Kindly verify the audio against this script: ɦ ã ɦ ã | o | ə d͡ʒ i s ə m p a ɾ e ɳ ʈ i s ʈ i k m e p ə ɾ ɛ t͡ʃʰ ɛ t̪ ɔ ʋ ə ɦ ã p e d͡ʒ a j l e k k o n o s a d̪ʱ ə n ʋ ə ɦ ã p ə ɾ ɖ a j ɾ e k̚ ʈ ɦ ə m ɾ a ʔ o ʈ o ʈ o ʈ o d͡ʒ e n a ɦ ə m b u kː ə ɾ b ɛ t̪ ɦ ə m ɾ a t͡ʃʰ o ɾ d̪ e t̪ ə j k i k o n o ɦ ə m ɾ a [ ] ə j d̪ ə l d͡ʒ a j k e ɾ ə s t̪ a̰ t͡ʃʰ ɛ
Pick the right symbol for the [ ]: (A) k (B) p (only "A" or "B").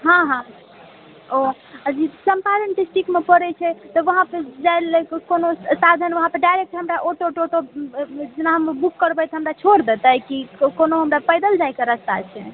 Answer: B